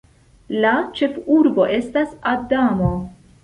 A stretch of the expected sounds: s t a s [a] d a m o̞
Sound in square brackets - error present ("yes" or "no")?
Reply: no